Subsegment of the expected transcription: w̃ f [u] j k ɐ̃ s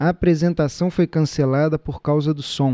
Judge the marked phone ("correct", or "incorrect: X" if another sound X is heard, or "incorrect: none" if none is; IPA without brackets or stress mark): incorrect: o